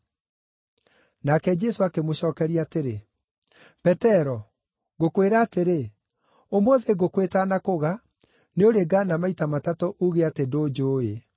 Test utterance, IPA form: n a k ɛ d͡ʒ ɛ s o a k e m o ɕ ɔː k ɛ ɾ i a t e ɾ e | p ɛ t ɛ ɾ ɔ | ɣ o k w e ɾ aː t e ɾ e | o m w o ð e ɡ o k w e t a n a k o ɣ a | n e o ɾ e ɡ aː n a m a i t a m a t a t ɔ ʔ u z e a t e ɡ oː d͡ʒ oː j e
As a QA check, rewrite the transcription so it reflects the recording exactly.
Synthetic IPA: n a k ɛ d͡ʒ ɛ s o a k e m o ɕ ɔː k ɛ ɾ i a t e ɾ e | p ɛ t ɛ ɾ ɔ | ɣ o k w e ɾ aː t e ɾ e | o m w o ð e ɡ o k w e t a n a k o ɣ a | n e o ɾ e ɡ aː n a m a i t a m a t a t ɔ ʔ u ɣ e a t e d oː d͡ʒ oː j e